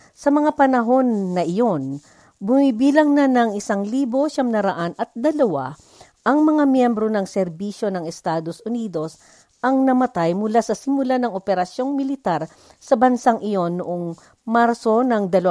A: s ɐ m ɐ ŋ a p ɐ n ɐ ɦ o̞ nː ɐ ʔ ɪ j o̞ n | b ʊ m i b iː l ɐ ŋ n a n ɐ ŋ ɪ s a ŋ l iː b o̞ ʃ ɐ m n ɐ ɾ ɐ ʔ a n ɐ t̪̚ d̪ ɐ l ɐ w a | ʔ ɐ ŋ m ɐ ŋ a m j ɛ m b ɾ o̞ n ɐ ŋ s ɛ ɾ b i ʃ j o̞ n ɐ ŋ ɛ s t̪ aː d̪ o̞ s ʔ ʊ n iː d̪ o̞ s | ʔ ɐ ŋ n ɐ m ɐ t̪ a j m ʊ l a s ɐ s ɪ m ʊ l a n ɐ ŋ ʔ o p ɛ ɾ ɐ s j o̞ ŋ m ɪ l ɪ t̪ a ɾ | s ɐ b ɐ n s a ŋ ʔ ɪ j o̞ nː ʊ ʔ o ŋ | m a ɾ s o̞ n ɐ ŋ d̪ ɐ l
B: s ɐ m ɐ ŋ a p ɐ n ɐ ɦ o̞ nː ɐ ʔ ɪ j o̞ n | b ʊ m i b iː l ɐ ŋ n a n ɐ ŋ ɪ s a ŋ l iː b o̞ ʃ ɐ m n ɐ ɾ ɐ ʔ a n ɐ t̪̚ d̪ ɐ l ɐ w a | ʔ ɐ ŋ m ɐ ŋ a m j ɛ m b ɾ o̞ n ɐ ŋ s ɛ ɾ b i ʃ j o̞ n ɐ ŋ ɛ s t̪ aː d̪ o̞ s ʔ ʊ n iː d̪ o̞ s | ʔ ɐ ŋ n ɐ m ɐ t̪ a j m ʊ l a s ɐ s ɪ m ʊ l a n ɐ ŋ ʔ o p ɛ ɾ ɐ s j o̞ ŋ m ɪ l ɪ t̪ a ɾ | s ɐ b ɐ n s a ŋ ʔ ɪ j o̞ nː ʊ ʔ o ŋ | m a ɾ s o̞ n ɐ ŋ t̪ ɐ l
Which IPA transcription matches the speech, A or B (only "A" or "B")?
A